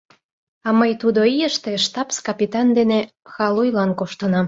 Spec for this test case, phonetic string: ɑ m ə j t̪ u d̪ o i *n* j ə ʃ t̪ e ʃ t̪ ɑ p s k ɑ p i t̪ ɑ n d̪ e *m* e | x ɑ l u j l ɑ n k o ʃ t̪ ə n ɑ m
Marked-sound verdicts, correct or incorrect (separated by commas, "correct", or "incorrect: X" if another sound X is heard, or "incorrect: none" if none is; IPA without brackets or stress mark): incorrect: none, incorrect: n